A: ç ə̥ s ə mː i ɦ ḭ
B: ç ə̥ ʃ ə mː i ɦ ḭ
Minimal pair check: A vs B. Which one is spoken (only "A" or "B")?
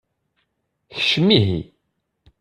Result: B